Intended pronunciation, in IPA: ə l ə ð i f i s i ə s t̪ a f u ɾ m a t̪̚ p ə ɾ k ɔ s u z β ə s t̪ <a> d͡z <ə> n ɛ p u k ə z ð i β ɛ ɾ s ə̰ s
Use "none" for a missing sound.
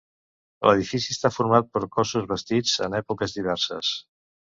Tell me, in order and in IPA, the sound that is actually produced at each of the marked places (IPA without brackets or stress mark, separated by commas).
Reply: i, ə